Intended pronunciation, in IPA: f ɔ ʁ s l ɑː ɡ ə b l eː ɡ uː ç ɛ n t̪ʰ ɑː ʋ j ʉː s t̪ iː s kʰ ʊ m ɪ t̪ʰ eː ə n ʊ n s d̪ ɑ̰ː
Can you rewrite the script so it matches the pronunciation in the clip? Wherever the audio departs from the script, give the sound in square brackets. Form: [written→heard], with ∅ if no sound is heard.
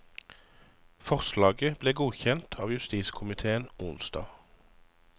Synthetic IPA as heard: f ɔ ʁ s l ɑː ɡ ə b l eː ɡ uː ç ɛ n t̪ʰ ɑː ʋ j [ʉː→ʉ] s t̪ iː s kʰ ʊ m ɪ t̪ʰ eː ə n ʊ n s d̪ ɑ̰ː